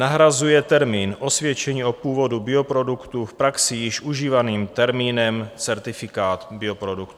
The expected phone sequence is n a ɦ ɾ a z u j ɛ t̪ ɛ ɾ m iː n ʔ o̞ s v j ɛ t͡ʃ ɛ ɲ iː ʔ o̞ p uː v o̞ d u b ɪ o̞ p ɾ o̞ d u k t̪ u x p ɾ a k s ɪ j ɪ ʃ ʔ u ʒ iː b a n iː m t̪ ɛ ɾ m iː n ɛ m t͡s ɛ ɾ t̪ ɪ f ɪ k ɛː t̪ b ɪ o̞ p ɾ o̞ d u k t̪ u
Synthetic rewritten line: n a ɦ ɾ a z u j ɛ t̪ ɛ ɾ m iː n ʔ o̞ s v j ɛ t͡ʃ ɛ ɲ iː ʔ o̞ p uː v o̞ d u b ɪ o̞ p ɾ o̞ d u k t̪ u f p ɾ a k s ɪ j ɪ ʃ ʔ u ʒ iː v a n iː m t̪ ɛ ɾ m iː n ɛ m t͡s ɛ ɾ t̪ ɪ f ɪ k aː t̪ b ɪ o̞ p ɾ o̞ d u k t̪ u

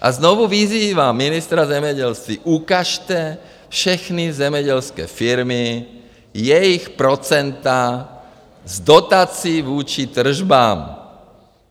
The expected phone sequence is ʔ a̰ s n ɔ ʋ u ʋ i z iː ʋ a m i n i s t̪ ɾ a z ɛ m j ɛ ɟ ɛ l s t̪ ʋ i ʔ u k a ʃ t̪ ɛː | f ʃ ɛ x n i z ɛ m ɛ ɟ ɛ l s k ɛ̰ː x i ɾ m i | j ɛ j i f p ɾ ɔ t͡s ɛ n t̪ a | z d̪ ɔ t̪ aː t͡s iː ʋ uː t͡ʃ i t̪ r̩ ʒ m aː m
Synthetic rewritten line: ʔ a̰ z n ɔ ʋ u ʋ i z iː ʋ a m i n i s t̪ ɾ a z ɛ m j ɛ ɟ ɛ l s t̪ ʋ i ʔ u k a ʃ t̪ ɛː | f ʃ ɛ x n i z ɛ m ɛ ɟ ɛ l s k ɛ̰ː f i ɾ m i | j ɛ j i x p ɾ ɔ t͡s ɛ n t̪ a | z d̪ ɔ t̪ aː t͡s iː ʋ uː t͡ʃ i t̪ r̩ ʒ b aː m

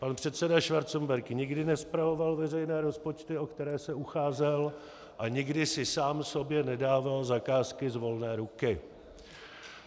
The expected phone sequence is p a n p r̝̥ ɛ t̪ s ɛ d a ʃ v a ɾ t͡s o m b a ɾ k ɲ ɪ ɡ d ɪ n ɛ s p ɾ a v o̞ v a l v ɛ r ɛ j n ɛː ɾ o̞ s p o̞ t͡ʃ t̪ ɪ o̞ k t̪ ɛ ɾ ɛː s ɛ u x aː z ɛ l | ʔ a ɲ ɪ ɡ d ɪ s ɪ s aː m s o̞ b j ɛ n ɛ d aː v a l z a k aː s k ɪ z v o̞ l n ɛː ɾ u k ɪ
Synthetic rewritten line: p a n p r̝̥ ɛ t̪ s ɛ d a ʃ v a ɾ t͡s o m b ɛ ɾ k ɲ ɪ ɡ d ɪ n ɛ s p ɾ a v o̞ v a l v ɛ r ɛ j n ɛː ɾ o̞ s p o̞ t͡ʃ t̪ ɪ o̞ k t̪ ɛ ɾ ɛː s ɛ u x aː z ɛ l | ʔ a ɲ ɪ ɡ d ɪ s ɪ s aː m s o̞ b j ɛ n ɛ d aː v a l z a k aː s k ɪ z v o̞ l n ɛː ɾ u k ɪ

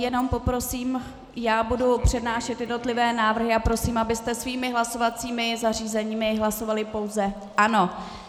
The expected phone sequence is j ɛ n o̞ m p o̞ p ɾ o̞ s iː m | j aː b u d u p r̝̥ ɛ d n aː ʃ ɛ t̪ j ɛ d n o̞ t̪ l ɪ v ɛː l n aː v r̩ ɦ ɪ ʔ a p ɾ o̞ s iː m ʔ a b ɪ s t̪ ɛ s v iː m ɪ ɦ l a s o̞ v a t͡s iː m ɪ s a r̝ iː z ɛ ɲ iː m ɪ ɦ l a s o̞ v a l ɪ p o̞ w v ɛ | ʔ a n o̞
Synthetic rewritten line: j ɛ n o̞ m p o̞ p ɾ o̞ s iː m | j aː b u d u p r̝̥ ɛ d n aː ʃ ɛ t̪ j ɛ d n o̞ t̪ l ɪ v ɛː n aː v r̩ ɦ ɪ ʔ a p ɾ o̞ s iː m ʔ a b ɪ s t̪ ɛ s v iː m ɪ ɦ l a s o̞ v a t͡s iː m ɪ z a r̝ iː z ɛ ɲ iː m ɪ ɦ l a s o̞ v a l ɪ p o̞ w z ɛ | ʔ a n o̞

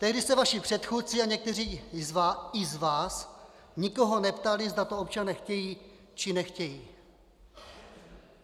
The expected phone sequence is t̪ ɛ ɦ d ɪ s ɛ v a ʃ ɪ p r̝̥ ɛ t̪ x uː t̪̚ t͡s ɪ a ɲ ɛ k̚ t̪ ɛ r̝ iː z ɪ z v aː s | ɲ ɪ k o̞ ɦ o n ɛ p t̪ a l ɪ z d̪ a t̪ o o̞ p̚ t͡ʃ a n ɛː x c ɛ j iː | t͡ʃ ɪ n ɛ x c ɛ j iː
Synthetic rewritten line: t̪ ɛ ɦ d ɪ s ɛ v a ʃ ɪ p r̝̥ ɛ t̪ x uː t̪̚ t͡s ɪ a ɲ ɛ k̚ t̪ ɛ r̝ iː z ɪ z v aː s | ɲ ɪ k o̞ ɦ o n ɛ p t̪ a l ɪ z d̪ a t̪ o o̞ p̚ t͡ʃ a n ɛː x c ɛ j iː | t͡ʃ ɪ n ɛ x c ɛ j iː

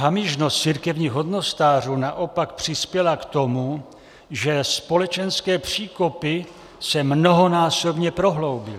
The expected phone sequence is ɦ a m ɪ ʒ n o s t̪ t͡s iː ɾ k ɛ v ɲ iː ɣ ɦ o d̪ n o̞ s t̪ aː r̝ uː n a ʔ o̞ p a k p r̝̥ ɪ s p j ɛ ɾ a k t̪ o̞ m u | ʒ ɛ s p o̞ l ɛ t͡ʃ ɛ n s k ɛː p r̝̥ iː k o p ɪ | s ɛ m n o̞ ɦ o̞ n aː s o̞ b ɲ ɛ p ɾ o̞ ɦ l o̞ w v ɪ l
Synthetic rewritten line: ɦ a m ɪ ʒ n o s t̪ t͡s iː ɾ k ɛ v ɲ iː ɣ ɦ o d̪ n o̞ s t̪ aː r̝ uː n a ʔ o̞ p a k p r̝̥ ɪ s p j ɛ l a k t̪ o̞ m u | ʒ ɛ s p o̞ l ɛ t͡ʃ ɛ n s k ɛː p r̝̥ iː k o p ɪ | s ɛ m n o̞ ɦ o̞ n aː s o̞ b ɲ ɛ p ɾ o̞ ɦ l o̞ w b ɪ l

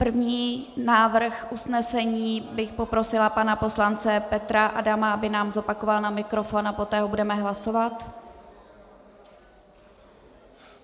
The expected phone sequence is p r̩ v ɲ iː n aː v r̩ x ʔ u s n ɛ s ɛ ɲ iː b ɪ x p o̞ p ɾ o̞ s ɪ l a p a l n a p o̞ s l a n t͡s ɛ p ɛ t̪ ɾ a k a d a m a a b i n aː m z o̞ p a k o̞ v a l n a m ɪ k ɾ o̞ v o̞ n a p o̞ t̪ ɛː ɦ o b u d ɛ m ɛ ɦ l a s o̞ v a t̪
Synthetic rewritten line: p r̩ v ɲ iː n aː v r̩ x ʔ u s n ɛ s ɛ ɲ iː b ɪ x p o̞ p ɾ o̞ s ɪ l a p a n a p o̞ s l a n t͡s ɛ p ɛ t̪ ɾ a ʔ a d a m a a b ɪ n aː m z o̞ p a k o̞ v a l n a m ɪ k ɾ o̞ f o̞ n a p o̞ t̪ ɛː ɦ o b u d ɛ m ɛ ɦ l a s o̞ v a t̪

